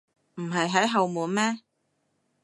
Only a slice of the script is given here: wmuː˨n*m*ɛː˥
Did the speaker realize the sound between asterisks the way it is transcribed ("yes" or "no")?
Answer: yes